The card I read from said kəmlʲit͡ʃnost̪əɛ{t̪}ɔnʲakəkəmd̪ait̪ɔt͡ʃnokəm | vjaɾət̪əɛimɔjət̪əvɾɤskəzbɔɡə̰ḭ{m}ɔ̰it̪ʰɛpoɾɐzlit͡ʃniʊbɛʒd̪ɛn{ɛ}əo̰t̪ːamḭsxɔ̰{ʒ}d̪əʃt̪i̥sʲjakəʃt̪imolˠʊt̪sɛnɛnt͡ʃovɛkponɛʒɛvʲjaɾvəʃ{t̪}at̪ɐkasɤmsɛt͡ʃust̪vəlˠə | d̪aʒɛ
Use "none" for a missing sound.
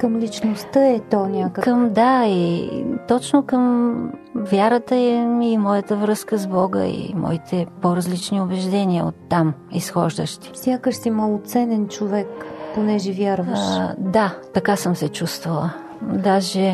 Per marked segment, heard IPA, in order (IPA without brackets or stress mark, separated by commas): t̪, m, i, ʒ, d̪